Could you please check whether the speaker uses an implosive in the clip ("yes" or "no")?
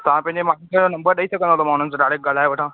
yes